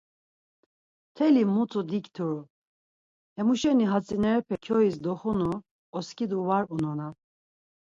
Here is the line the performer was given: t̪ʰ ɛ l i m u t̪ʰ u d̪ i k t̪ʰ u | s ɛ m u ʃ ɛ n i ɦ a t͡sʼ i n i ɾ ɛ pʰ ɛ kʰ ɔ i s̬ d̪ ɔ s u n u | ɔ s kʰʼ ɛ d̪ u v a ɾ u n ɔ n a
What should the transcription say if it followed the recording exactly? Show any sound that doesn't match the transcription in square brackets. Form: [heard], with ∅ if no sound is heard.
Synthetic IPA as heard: t̪ʰ ɛ l i m u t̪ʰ u d̪ i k t̪ʰ u | [h] ɛ m u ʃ ɛ n i ɦ a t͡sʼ i n [ɛ] ɾ ɛ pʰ ɛ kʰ ɔ i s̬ d̪ ɔ [χ] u n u | ɔ s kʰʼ [i] d̪ u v a ɾ u n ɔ n a